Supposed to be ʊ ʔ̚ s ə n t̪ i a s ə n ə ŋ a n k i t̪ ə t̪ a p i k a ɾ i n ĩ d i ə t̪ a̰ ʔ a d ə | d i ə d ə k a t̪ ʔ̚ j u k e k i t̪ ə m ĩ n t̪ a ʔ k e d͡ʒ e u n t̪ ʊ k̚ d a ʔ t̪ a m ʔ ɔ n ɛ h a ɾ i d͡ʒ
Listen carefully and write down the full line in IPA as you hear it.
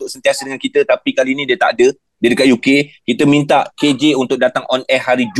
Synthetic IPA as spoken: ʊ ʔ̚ s ə n t̪ i a s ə d ə ŋ a n k i t̪ ə t̪ a p i k a l i n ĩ d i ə t̪ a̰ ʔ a d ə | d i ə d ə k a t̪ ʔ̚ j u k e k i t̪ ə m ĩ n t̪ a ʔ k e d͡ʒ e u n t̪ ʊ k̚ d a t̪ a ŋ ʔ ɔ n ɛ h a ɾ i d͡ʒ